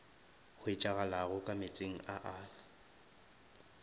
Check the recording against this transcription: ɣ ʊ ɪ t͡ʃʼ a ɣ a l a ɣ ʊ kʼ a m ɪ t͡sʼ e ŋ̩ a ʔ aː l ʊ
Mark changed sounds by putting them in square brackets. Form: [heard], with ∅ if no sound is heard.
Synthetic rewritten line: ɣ ʊ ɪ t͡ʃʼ a ɣ a l a ɣ ʊ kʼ a m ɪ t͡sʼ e ŋ̩ a ʔ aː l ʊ